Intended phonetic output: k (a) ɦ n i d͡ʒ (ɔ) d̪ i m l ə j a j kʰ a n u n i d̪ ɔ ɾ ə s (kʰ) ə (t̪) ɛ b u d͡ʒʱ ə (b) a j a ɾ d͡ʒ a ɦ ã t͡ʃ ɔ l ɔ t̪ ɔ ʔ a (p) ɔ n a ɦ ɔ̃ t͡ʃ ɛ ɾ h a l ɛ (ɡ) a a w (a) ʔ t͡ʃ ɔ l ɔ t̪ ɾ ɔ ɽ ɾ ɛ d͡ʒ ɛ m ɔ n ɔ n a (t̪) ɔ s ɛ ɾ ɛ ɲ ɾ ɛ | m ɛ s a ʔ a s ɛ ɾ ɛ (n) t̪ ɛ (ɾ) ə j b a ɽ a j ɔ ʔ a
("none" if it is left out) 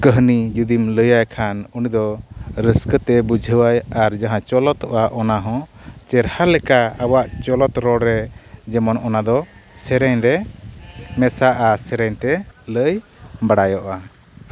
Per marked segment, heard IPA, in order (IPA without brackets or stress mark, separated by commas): ə, u, k, t̪, w, ʔ, k, a, d̪, ɲ, l